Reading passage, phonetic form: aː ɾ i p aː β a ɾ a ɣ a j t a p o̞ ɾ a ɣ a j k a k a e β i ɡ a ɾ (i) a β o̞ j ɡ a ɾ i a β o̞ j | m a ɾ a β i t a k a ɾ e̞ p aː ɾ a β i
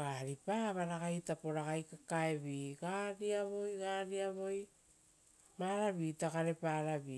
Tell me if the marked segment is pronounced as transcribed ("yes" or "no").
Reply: yes